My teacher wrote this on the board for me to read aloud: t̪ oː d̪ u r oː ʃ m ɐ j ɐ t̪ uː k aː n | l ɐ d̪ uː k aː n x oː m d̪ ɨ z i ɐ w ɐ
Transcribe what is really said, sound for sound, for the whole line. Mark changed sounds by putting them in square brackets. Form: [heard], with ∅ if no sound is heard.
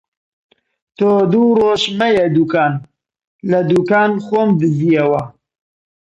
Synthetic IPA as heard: t̪ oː d̪ u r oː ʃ m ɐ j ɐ [d̪] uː k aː n | l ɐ d̪ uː k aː n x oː m d̪ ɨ z i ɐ w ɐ

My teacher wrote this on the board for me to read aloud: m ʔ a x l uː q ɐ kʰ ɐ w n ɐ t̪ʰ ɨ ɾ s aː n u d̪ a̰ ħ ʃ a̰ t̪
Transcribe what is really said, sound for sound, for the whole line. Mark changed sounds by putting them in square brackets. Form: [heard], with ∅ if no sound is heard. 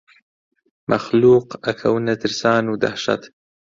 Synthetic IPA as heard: m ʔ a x l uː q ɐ kʰ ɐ w n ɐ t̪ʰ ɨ ɾ s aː n u d̪ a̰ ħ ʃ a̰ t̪

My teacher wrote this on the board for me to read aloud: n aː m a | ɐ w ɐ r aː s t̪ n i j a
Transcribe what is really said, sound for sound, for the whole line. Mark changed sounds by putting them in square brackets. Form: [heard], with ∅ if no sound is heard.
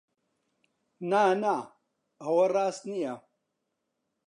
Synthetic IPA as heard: n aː [n] a | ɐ w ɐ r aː s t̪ n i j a

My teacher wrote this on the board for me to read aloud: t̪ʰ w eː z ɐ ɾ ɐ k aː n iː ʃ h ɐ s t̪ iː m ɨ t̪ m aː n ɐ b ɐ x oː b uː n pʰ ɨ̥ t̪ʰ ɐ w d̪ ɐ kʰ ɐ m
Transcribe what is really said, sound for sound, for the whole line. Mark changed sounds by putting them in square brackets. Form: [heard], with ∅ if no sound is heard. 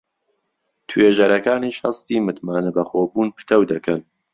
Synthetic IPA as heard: t̪ʰ w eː [ʒ] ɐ ɾ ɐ k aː n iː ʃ h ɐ s t̪ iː m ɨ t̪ m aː n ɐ b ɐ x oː b uː n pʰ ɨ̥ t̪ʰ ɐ w d̪ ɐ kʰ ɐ [n]

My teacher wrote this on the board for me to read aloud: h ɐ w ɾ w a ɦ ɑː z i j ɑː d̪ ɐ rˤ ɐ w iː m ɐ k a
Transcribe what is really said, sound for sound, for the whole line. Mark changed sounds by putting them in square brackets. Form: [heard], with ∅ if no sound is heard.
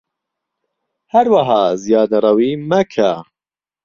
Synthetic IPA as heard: h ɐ [∅] ɾ w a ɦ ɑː z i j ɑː d̪ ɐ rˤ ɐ w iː m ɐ [kʰ] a

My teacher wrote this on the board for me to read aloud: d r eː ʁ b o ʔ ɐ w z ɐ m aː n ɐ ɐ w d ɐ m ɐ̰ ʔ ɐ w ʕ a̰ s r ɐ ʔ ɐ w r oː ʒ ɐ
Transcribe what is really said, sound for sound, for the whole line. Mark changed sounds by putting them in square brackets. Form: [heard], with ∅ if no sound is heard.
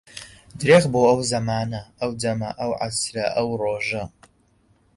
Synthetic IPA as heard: d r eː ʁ b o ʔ ɐ w z ɐ m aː n ɐ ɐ w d ɐ m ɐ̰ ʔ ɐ w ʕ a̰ s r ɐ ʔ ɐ w r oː ʒ ɐ

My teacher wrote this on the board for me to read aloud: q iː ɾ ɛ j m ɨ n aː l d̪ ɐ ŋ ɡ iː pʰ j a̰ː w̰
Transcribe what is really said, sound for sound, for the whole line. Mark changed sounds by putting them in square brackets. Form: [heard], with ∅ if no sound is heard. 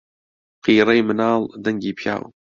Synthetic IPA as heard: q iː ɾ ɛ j m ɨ n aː l d̪ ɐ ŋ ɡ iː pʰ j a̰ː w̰

